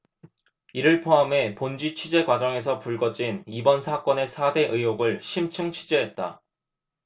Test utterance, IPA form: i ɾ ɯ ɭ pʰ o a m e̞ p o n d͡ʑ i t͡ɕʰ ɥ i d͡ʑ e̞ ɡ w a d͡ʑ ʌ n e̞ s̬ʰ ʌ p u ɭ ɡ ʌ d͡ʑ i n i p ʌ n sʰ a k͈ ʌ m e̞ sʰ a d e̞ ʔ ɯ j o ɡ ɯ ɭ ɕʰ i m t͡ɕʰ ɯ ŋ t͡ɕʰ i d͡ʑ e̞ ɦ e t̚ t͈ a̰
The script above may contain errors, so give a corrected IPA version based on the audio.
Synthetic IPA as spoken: i ɾ ɯ ɭ pʰ o a m e̞ p o n d͡ʑ i t͡ɕʰ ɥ i d͡ʑ e̞ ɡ w a d͡ʑ ʌ ŋ e̞ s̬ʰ ʌ p u ɭ ɡ ʌ d͡ʑ i n i b ʌ n sʰ a k͈ ʌ n e̞ sʰ a d e̞ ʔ ɯ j o ɡ ɯ ɭ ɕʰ i m t͡ɕʰ ɯ ŋ t͡ɕʰ i d͡ʑ e̞ ɦ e t̚ t͈ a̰